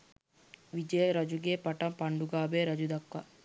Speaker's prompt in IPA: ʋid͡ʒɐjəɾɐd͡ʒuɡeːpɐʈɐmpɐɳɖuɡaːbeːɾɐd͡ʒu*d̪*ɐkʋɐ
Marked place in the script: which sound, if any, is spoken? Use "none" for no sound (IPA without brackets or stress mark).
d̪